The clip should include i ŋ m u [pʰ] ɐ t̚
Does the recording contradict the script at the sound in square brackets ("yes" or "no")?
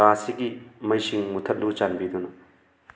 yes